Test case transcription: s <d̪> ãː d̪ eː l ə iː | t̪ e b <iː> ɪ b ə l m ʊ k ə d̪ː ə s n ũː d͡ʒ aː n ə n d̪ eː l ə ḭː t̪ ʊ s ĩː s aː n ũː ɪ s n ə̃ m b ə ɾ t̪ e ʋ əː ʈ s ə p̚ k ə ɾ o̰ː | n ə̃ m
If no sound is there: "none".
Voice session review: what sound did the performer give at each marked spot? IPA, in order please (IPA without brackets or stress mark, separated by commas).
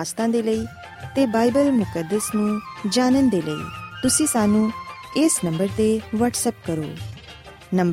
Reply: t̪, aː